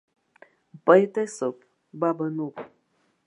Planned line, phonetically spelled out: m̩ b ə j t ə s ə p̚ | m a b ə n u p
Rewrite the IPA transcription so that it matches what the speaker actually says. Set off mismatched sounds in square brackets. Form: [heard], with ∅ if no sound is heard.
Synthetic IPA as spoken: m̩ [p] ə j t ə s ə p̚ | [b] a b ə n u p